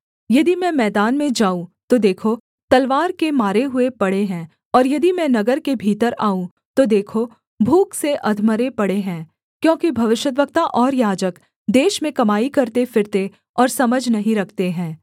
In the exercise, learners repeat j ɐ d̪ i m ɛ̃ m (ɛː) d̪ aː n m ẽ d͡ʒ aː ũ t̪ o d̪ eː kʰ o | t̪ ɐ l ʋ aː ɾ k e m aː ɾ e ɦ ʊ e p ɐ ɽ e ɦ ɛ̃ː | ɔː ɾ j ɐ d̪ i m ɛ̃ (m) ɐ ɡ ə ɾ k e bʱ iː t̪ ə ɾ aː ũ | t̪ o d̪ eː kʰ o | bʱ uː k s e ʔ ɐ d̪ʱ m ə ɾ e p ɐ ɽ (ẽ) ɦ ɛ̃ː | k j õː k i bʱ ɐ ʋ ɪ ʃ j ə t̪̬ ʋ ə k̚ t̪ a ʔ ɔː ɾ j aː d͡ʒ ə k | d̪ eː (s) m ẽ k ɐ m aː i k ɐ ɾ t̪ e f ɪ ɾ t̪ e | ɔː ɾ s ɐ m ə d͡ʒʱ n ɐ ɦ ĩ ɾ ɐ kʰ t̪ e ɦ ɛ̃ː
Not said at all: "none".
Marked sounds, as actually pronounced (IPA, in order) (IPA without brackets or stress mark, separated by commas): ɛː, n, e, ʃ